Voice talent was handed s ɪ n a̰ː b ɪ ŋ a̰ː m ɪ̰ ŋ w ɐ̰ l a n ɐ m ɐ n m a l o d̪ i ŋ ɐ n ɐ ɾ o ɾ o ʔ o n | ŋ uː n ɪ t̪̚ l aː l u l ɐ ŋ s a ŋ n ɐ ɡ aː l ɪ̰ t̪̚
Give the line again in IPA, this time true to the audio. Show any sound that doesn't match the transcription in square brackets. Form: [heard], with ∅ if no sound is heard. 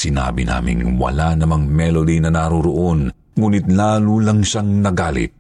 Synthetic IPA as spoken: s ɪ n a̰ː b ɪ [n] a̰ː m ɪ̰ ŋ w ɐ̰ l a n ɐ m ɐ [ŋ] m [ɛ] l o d̪ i [n] ɐ n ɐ ɾ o ɾ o ʔ o n | ŋ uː n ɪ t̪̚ l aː l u l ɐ ŋ [ʃ] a ŋ n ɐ ɡ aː l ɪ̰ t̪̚